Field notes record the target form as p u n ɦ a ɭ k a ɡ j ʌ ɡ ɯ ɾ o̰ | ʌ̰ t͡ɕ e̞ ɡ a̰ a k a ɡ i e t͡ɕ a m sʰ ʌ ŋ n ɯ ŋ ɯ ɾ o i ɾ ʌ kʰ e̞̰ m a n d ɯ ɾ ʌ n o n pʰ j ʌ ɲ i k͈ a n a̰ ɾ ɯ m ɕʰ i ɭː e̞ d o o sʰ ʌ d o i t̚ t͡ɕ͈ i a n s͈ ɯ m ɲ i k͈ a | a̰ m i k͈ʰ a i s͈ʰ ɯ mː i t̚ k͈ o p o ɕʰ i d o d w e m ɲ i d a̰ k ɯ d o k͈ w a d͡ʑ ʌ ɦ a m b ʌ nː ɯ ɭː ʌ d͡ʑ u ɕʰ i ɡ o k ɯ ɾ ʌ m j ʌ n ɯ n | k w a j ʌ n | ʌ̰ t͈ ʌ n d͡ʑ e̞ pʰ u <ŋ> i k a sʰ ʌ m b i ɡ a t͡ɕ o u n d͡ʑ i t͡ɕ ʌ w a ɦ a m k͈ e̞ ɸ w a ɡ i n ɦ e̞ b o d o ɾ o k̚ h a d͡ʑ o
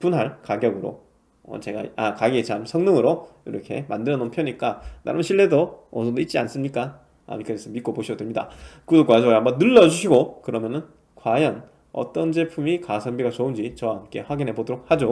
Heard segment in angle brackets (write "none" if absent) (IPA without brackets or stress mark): m